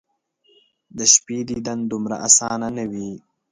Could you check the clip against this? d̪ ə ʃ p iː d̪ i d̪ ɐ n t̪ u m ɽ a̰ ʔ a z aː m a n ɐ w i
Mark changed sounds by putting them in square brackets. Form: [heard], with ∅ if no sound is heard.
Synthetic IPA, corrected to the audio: d̪ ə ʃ p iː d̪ i d̪ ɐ n [d̪] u m [ɾ] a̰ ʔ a [s] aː [n] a n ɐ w i